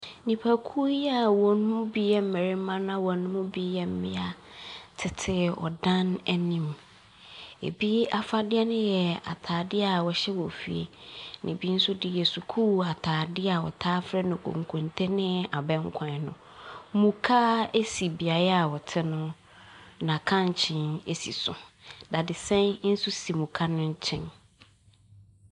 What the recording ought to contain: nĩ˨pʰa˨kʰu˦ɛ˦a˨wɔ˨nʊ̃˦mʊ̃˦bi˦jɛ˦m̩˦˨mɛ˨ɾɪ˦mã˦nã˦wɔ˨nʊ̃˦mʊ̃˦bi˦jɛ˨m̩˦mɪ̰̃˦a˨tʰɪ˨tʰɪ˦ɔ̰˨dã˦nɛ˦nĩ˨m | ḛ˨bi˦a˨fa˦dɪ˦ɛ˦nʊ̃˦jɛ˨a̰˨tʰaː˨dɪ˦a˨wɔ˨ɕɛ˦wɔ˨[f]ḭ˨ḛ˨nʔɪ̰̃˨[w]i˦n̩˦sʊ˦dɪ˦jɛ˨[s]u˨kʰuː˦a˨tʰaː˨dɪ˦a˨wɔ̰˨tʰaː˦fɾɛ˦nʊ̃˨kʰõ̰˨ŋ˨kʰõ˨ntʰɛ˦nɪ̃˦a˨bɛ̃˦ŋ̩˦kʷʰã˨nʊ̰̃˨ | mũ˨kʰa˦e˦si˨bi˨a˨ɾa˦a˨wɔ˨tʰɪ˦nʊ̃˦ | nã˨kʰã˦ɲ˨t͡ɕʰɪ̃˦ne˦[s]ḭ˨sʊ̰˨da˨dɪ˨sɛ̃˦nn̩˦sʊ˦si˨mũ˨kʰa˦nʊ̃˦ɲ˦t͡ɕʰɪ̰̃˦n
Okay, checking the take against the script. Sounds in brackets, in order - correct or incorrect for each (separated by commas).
correct, incorrect, correct, correct